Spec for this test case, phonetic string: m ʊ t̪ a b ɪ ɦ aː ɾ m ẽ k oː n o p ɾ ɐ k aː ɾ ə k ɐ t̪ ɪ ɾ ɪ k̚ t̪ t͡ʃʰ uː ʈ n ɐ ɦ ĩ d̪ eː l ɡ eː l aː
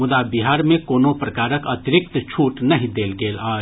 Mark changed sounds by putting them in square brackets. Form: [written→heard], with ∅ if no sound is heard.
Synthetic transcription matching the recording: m ʊ [t̪→d̪] a b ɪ ɦ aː ɾ m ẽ k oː n o p ɾ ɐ k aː ɾ ə k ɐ t̪ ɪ ɾ ɪ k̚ t̪ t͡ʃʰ uː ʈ n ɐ ɦ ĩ d̪ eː l ɡ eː l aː